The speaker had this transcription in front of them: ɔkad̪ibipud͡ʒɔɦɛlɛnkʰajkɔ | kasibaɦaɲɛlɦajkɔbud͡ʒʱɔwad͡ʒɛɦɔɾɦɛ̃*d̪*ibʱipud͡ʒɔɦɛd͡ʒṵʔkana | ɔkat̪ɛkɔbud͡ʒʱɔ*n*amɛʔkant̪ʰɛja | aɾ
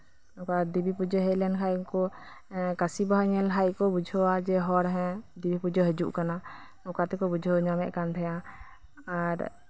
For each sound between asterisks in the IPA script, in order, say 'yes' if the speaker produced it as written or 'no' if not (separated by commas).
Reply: yes, no